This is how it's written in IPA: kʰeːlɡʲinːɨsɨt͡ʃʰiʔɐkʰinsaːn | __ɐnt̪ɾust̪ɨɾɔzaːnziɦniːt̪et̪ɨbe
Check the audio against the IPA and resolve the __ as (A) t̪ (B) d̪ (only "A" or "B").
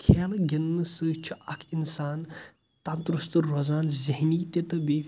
A